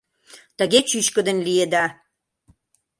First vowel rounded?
no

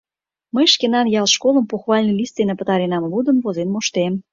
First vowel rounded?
no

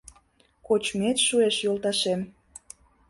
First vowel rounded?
yes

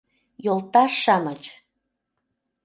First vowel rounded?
yes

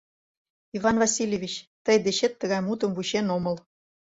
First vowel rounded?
no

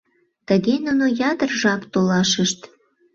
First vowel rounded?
no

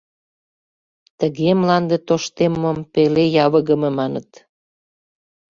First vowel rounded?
no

